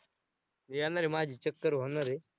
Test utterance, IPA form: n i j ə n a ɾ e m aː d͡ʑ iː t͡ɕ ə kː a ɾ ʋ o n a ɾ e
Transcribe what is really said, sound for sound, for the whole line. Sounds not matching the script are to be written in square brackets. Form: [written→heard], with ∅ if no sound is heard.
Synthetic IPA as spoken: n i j [ə→a] n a ɾ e m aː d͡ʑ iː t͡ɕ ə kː [a→ə] ɾ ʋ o n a ɾ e